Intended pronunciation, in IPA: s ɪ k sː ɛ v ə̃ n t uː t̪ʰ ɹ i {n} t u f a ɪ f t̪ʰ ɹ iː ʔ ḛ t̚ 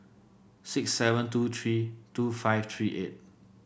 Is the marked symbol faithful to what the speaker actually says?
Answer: no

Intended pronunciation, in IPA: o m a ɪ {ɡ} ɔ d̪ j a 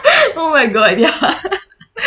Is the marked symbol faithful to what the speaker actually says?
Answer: yes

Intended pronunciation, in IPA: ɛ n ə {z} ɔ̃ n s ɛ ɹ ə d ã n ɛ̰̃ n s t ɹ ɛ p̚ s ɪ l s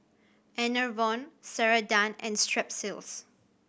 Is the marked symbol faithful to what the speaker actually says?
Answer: no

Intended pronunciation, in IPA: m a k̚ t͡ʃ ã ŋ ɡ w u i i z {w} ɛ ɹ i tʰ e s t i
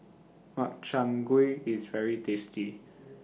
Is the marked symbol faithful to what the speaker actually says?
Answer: no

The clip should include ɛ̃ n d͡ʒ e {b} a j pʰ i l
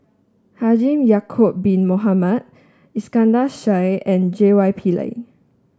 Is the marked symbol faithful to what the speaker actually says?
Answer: no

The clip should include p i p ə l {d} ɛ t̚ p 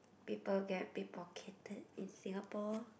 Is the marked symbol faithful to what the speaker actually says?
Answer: no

